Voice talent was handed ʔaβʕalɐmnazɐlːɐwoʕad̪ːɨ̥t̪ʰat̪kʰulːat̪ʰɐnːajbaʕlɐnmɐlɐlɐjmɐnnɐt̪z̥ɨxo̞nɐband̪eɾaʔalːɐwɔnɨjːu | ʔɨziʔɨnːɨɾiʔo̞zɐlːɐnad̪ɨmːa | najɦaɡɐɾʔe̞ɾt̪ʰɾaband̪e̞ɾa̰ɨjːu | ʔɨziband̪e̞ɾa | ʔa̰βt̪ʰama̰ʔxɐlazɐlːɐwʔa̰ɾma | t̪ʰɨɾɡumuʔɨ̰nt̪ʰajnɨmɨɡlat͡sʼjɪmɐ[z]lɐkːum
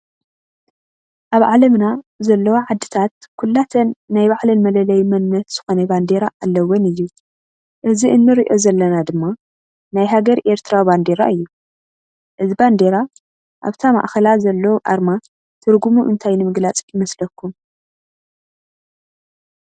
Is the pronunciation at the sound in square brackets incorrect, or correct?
incorrect